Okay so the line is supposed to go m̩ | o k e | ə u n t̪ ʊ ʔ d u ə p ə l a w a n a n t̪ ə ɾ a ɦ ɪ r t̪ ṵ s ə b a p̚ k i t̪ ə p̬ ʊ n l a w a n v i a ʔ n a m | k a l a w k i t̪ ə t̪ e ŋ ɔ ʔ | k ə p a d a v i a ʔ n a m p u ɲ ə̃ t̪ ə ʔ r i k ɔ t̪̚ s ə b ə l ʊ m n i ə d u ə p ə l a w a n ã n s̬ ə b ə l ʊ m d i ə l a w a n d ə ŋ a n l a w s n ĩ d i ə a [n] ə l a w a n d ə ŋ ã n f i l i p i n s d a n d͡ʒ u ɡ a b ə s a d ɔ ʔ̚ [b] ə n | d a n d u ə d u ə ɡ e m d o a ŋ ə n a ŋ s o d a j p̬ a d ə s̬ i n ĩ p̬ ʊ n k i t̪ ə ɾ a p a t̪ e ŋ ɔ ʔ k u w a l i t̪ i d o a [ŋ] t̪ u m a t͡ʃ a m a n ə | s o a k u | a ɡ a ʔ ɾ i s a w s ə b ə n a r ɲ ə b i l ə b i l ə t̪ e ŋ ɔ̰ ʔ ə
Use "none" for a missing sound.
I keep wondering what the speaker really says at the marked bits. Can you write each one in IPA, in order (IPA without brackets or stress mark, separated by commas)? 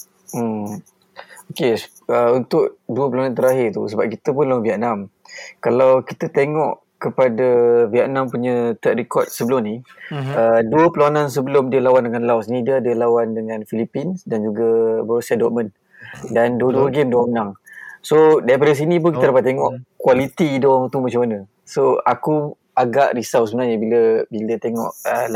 d, m, ŋ